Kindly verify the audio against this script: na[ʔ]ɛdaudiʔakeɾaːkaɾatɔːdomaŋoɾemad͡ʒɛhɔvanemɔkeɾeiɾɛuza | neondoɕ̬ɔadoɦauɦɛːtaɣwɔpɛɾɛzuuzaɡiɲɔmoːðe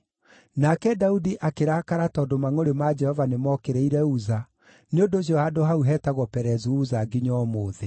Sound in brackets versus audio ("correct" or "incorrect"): incorrect